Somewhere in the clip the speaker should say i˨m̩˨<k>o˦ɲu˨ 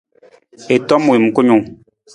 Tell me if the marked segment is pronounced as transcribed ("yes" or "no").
yes